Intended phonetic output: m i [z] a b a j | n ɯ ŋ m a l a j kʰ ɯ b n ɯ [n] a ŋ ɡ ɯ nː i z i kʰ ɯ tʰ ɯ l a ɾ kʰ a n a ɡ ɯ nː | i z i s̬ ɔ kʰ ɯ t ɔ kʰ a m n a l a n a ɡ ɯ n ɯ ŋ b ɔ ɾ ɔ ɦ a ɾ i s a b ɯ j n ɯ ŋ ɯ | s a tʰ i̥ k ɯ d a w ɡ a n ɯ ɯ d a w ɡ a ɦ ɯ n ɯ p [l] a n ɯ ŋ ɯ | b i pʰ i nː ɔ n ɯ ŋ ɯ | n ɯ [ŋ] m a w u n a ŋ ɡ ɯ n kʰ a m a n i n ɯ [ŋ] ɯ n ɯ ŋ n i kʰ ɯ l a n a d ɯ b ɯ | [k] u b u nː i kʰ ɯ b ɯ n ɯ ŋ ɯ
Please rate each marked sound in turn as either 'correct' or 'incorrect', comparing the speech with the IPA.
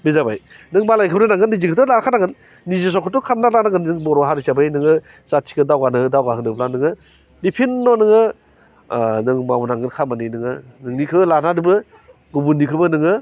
correct, correct, correct, correct, correct, incorrect

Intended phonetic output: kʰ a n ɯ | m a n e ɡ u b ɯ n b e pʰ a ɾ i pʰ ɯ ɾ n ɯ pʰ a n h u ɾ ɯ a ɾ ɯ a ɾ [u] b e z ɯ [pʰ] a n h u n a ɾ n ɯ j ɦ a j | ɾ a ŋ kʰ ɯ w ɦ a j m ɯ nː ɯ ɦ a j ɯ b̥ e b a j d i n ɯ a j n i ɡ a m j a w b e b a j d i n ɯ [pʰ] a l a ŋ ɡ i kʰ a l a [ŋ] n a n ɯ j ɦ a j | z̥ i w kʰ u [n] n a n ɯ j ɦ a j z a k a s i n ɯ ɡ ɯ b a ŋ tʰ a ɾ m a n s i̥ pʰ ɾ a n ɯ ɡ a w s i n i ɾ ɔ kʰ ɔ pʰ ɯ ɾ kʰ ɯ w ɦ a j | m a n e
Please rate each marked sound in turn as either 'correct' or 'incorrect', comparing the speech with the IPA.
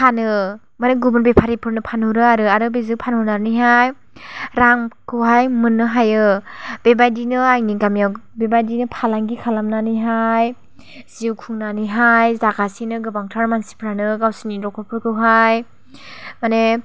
incorrect, correct, correct, incorrect, incorrect

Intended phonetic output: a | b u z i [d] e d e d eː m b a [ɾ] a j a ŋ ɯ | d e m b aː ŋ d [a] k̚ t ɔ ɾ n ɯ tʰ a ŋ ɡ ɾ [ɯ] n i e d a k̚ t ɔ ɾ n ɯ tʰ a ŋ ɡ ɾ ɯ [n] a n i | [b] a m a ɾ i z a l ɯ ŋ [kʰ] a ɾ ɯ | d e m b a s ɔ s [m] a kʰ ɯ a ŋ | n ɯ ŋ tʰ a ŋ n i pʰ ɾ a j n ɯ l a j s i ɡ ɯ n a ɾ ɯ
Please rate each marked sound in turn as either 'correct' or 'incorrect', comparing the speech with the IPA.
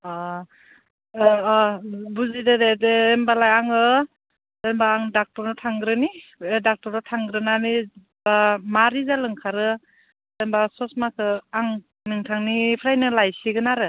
correct, incorrect, correct, correct, correct, correct, correct, correct

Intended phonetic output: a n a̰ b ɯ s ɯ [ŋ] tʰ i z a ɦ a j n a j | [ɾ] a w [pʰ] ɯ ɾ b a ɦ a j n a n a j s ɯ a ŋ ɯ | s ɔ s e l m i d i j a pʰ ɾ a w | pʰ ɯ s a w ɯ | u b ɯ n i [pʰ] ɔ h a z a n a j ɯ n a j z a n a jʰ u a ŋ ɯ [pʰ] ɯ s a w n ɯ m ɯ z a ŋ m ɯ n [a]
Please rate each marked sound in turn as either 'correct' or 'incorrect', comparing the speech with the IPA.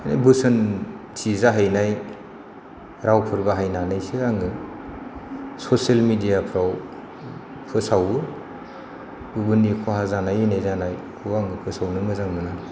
incorrect, correct, correct, incorrect, correct, correct

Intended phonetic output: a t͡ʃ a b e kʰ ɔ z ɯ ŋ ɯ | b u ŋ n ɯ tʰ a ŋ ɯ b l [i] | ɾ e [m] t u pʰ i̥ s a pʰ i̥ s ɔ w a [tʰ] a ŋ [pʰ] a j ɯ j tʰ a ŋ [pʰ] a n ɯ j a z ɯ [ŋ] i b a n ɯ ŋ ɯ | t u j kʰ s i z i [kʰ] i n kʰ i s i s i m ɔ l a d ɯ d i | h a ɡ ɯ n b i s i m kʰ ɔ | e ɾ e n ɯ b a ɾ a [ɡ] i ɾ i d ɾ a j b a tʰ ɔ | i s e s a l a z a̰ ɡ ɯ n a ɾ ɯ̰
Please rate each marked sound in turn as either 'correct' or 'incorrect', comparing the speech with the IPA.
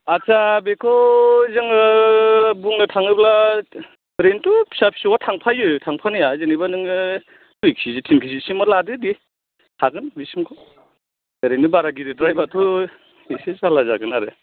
incorrect, incorrect, correct, correct, correct, incorrect, incorrect, correct

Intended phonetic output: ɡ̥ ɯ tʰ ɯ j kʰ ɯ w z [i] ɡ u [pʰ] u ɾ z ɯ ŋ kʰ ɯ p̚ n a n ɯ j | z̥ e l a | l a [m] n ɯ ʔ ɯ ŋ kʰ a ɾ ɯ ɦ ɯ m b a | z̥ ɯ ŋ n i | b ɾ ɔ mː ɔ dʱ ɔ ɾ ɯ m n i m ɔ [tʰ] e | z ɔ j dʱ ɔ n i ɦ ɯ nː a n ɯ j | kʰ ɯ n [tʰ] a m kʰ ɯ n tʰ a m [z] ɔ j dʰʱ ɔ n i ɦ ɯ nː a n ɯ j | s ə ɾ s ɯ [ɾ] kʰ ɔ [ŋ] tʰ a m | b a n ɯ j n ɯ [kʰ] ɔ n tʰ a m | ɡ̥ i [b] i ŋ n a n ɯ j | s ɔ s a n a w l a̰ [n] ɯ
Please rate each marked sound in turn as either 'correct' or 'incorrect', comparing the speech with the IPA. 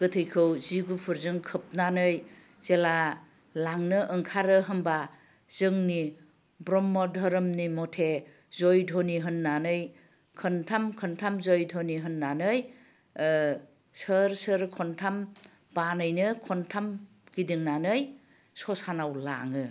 correct, correct, incorrect, correct, correct, correct, correct, incorrect, correct, incorrect, incorrect

